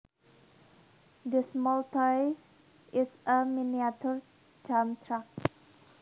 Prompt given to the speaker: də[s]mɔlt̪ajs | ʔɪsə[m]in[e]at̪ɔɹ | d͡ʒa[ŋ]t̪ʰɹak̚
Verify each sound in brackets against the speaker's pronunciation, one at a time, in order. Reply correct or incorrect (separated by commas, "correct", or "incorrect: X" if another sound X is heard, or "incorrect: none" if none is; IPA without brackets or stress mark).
correct, correct, incorrect: i, incorrect: m